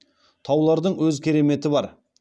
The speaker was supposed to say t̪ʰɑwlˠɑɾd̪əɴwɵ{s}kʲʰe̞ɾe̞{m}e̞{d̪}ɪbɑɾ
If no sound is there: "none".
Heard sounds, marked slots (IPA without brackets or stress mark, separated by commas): z, m, t̪